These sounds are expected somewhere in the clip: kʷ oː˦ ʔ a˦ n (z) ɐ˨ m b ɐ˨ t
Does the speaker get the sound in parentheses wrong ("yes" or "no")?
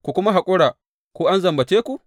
no